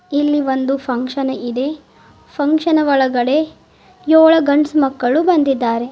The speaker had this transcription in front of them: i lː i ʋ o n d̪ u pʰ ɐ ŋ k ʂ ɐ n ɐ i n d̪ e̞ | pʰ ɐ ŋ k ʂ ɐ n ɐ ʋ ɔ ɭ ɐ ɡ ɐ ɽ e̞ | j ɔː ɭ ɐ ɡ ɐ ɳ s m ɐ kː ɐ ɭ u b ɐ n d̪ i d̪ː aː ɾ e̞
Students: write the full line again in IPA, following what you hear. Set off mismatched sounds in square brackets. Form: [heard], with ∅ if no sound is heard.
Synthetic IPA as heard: i lː i ʋ o n d̪ u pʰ ɐ ŋ k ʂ ɐ n ɐ i [∅] d̪ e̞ | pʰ ɐ ŋ k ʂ ɐ n ɐ ʋ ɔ ɭ ɐ ɡ ɐ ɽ e̞ | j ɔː ɭ ɐ ɡ ɐ ɳ s m ɐ kː ɐ ɭ u b ɐ n d̪ i d̪ː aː ɾ e̞